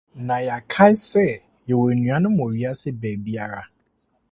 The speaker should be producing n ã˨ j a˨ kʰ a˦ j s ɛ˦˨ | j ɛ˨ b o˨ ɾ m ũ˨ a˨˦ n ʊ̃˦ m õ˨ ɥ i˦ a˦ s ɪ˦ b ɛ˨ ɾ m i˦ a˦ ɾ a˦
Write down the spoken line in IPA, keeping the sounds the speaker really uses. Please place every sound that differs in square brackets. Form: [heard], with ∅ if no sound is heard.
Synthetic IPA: n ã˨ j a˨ kʰ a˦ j s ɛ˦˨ | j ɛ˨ [w] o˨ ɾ [n] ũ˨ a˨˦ n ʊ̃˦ m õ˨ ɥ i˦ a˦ s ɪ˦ b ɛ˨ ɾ [b] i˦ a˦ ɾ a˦